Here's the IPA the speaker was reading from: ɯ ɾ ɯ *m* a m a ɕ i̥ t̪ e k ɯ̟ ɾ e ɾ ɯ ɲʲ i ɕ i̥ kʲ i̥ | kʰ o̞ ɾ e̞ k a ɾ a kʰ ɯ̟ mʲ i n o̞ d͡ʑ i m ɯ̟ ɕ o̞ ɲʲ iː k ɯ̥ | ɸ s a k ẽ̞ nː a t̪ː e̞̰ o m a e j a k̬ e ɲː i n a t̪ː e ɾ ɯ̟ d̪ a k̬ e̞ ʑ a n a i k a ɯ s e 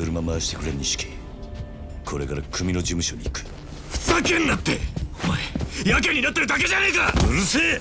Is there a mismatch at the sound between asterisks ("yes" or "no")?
no